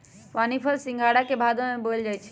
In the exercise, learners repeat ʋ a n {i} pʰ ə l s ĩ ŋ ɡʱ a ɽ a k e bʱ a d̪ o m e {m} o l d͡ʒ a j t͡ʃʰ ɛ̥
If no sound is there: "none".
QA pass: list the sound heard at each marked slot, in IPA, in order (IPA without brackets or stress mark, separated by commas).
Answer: i, b